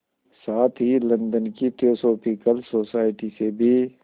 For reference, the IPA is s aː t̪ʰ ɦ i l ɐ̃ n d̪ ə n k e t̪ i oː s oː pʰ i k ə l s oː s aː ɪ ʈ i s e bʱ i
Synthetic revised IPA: s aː t̪ʰ ɦ i l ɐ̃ n d̪ ə n k i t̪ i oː s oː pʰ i k ə l s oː s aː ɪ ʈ i s e bʱ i